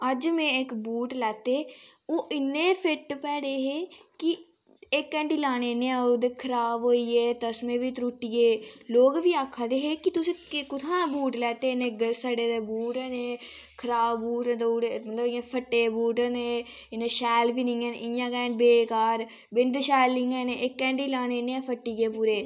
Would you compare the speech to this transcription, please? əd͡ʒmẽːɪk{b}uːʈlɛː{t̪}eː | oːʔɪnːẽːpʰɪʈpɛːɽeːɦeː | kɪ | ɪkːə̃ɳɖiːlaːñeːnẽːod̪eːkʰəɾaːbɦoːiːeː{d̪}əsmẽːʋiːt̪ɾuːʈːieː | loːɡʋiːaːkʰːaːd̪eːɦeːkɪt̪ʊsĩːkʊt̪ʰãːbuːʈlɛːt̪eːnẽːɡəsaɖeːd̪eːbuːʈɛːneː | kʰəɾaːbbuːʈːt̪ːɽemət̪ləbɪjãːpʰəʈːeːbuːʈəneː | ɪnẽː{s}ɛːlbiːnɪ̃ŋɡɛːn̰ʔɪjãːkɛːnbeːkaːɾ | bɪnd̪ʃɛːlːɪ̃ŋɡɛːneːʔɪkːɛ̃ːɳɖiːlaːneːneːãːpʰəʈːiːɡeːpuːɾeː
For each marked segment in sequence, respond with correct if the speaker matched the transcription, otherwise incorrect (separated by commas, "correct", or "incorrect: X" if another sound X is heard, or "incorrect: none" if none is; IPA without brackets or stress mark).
correct, correct, incorrect: t̪, incorrect: ʃ